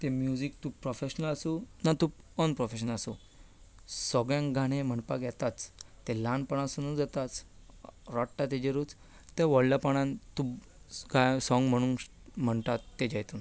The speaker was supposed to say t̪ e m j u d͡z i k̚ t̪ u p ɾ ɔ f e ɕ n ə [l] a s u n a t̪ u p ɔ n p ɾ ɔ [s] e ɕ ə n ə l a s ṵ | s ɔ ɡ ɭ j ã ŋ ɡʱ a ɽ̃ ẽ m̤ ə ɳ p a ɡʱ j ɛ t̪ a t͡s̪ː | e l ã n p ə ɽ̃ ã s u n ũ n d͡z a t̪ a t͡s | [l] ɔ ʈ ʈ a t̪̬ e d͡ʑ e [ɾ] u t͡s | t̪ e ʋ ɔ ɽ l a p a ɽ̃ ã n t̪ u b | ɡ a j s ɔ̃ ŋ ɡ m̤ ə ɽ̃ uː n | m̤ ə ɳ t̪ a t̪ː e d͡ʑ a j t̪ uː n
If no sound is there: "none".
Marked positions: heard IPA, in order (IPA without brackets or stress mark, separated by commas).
l, f, ɾ, ɾ